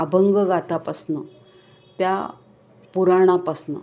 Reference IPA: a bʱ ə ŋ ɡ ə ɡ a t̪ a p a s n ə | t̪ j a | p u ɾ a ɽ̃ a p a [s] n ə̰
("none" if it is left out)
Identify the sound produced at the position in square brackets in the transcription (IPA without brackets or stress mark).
s